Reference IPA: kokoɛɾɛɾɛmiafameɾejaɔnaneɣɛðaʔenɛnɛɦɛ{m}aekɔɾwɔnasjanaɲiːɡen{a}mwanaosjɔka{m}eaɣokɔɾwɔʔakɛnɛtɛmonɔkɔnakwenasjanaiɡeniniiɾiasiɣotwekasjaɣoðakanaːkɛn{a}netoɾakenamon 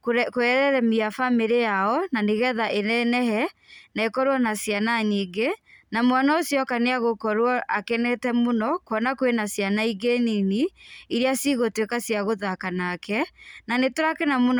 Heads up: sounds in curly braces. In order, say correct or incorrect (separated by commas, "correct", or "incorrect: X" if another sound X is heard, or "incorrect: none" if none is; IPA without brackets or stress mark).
incorrect: n, correct, incorrect: n, correct